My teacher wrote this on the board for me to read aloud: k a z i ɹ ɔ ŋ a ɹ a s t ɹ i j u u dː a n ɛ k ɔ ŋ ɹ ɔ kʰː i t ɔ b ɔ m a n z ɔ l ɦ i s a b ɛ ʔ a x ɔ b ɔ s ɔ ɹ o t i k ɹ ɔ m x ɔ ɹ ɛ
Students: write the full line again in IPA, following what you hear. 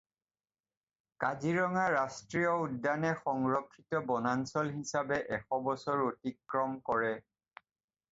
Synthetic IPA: k a z i ɹ ɔ ŋ a ɹ a s t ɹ i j ɔ u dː a n ɛ x ɔ ŋ ɹ ɔ kʰː i t ɔ b ɔ n a n s ɔ l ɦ i s a b ɛ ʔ ɛ x ɔ b ɔ s ɔ ɹ o t i k ɹ ɔ m k ɔ ɹ ɛ